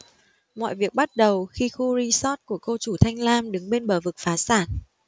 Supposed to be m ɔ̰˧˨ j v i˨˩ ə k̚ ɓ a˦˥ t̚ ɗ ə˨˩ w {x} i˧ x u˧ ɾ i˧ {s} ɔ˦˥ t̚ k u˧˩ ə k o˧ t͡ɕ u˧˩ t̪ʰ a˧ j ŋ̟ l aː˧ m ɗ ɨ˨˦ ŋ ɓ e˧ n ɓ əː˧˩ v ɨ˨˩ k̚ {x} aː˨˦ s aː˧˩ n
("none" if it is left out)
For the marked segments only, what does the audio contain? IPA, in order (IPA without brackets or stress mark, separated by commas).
x, s, f